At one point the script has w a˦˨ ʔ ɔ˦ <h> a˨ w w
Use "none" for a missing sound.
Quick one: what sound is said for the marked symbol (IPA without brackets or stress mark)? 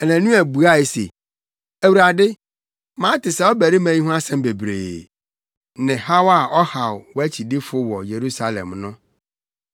h